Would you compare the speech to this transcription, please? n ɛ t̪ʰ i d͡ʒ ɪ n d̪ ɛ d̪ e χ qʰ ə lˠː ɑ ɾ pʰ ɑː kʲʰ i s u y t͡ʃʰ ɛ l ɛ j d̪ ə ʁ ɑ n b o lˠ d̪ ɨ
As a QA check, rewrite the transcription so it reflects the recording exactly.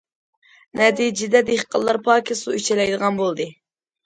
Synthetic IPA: n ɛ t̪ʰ i d͡ʒ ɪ d̪ ɛ d̪ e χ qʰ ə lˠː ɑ ɾ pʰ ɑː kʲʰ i s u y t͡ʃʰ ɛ l ɛ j d̪ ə ʁ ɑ n b o lˠ d̪ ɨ